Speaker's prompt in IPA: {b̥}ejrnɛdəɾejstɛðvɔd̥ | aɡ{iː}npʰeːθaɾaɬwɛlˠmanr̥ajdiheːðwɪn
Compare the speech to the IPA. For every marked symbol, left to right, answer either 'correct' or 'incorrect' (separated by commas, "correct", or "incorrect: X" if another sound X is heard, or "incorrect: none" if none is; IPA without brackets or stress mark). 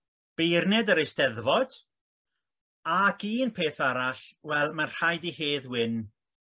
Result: correct, correct